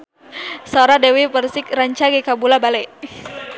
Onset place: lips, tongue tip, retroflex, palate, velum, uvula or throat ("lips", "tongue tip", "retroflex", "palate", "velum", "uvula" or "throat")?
tongue tip